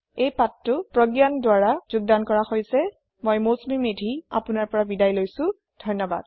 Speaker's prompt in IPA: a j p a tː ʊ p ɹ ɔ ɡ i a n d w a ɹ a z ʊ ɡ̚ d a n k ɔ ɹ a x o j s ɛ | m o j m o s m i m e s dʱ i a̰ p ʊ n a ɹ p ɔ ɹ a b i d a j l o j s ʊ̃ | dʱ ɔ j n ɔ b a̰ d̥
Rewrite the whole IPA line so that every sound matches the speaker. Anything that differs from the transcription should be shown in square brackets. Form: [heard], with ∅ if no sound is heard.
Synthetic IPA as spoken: [e] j p a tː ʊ p ɹ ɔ ɡ [j] a n d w a ɹ a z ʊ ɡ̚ d a n k ɔ ɹ a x o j s ɛ | m o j m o s m i m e [∅] dʱ i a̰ p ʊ n a ɹ p ɔ ɹ a b i d a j l o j s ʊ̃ | dʱ ɔ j n ɔ b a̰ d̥